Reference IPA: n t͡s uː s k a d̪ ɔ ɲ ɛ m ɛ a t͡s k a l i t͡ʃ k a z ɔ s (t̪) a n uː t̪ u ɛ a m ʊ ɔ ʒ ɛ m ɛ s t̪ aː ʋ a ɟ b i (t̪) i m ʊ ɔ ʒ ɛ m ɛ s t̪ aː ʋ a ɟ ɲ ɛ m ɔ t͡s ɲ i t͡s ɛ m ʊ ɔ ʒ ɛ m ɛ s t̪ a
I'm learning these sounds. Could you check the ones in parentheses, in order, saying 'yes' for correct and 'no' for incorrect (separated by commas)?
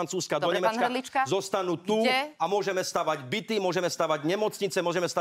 yes, yes